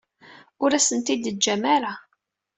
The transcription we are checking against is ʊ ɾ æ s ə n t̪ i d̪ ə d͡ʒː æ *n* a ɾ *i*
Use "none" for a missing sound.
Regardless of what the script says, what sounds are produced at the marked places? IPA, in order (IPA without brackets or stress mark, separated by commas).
m, a